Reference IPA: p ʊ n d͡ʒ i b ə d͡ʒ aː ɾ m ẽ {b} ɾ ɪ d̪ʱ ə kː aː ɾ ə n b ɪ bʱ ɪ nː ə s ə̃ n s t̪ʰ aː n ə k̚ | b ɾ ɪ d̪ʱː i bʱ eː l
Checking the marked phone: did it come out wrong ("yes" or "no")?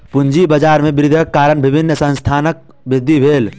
no